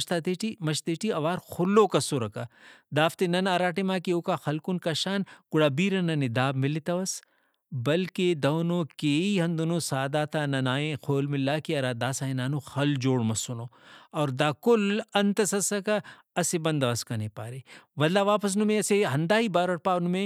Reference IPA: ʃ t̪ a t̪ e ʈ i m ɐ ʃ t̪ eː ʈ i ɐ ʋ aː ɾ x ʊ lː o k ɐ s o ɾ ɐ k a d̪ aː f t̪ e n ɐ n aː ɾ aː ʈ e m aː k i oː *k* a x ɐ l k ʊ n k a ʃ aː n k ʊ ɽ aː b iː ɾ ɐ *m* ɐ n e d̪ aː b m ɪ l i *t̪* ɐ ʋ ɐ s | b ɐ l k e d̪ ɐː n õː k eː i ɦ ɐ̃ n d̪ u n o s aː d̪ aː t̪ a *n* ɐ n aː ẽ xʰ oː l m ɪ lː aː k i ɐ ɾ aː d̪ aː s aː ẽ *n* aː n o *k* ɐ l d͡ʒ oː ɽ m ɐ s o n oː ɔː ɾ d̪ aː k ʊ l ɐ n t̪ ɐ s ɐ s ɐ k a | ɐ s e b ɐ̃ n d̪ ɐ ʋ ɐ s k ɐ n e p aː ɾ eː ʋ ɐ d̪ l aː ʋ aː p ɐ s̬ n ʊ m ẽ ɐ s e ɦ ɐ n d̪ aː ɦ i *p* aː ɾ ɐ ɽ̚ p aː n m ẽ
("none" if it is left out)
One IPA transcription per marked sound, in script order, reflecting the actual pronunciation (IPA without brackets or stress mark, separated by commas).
k, n, t̪, n, n, x, b